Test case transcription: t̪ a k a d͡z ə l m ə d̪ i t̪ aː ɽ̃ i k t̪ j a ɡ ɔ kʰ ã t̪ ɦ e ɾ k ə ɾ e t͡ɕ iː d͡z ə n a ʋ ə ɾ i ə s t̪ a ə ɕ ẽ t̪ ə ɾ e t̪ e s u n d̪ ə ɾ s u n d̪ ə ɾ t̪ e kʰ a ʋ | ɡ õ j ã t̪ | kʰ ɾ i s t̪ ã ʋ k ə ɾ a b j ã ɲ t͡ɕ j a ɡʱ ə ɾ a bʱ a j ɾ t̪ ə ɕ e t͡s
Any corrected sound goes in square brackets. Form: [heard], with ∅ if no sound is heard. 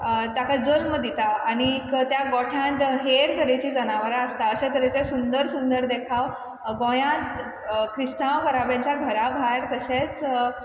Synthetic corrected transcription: t̪ a k a d͡z ə l m ə d̪ i t̪ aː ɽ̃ i k t̪ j a ɡ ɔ [ʈʰ] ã t̪ ɦ e ɾ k ə ɾ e t͡ɕ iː d͡z ə n a ʋ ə ɾ [a] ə s t̪ a ə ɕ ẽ t̪ ə ɾ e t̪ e s u n d̪ ə ɾ s u n d̪ ə ɾ [d̪] e kʰ a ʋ | ɡ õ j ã t̪ | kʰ ɾ i s t̪ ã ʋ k ə ɾ a b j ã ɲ t͡ɕ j a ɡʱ ə ɾ a bʱ a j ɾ t̪ ə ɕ e t͡s